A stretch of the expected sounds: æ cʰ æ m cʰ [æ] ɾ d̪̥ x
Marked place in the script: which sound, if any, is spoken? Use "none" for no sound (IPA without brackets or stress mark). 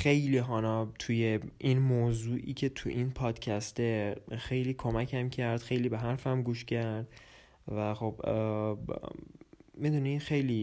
æ